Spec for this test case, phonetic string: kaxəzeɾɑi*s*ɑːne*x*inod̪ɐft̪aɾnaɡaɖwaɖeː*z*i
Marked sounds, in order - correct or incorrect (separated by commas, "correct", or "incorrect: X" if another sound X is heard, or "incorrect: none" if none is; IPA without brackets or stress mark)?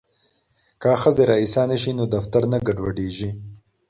correct, incorrect: ʃ, incorrect: ʒ